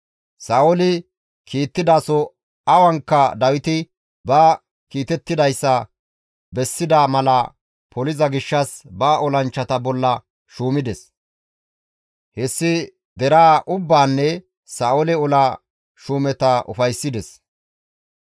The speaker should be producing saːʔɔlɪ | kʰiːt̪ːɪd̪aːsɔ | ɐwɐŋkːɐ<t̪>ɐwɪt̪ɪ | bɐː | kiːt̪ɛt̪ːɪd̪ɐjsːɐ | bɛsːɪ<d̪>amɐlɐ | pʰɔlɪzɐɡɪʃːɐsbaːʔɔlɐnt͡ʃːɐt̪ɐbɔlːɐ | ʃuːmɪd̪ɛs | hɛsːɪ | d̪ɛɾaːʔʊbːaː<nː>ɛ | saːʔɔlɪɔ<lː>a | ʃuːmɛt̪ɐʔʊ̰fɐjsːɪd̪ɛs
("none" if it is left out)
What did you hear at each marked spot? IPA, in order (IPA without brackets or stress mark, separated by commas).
d̪, d̪, nː, l